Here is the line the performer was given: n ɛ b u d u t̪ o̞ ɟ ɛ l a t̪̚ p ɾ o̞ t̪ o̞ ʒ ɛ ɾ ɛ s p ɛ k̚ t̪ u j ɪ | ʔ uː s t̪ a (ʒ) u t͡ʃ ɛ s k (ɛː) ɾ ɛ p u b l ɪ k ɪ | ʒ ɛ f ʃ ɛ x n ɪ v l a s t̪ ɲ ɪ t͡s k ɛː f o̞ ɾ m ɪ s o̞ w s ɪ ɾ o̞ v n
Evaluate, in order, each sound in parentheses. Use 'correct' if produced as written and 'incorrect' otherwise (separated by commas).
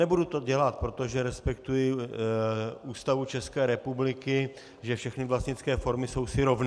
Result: incorrect, correct